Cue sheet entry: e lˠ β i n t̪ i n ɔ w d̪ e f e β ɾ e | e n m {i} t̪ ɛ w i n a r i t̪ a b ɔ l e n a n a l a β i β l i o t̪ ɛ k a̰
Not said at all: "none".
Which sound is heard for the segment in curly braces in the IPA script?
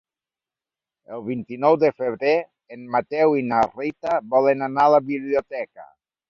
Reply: a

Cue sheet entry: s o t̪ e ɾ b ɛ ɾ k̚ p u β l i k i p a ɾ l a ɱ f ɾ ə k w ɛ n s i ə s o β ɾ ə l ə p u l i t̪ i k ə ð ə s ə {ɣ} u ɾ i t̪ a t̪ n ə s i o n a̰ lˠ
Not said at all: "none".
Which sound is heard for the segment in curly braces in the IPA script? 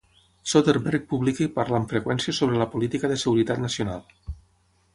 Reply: ɣ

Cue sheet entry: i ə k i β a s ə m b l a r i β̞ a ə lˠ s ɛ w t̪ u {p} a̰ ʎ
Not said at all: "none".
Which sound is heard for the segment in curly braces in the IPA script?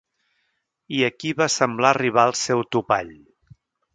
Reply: p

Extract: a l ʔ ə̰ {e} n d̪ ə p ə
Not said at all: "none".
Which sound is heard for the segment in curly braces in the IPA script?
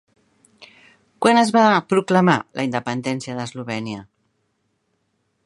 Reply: i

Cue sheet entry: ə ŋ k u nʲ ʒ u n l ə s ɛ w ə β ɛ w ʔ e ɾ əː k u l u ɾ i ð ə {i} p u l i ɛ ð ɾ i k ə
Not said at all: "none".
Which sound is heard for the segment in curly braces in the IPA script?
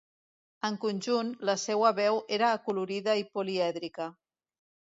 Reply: i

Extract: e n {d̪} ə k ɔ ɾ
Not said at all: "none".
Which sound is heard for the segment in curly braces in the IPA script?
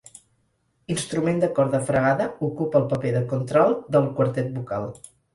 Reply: d̪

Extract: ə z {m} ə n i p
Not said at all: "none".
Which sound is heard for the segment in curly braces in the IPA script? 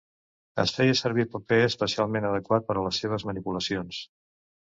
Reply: m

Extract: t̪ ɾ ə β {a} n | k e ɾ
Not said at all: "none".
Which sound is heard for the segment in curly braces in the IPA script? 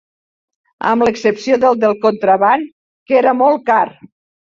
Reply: a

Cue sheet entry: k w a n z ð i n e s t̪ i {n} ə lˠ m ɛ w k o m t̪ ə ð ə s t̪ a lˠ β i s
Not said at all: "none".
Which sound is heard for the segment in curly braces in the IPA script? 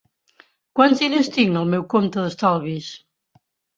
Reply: ŋ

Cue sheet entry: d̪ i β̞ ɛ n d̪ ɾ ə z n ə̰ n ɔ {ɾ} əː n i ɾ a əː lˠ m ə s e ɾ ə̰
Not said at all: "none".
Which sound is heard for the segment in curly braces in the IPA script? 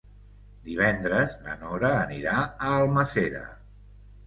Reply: ɾ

